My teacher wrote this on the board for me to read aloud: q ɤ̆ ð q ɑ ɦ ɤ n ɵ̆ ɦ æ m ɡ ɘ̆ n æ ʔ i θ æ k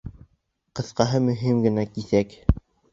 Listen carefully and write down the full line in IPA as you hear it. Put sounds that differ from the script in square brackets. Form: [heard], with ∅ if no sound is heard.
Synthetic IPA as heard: q ɤ̆ [θ] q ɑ ɦ ɤ [m] ɵ̆ ɦ [i] m ɡ ɘ̆ n æ [k] i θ æ k